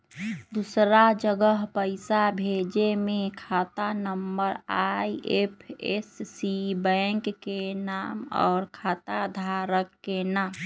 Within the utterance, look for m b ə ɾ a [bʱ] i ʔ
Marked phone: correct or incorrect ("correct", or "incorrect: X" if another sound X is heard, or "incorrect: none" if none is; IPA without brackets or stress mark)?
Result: incorrect: none